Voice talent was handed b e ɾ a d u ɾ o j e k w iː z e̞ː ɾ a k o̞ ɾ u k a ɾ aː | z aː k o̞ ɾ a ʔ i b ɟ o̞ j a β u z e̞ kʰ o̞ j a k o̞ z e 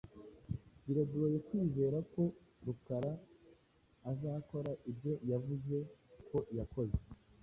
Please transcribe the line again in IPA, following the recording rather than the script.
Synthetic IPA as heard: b i ɾ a d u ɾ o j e k w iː z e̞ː ɾ a k o̞ ɾ u k a ɾ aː | z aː k o̞ ɾ a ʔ i b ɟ o̞ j a v u z e̞ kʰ o̞ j a k o̞ z e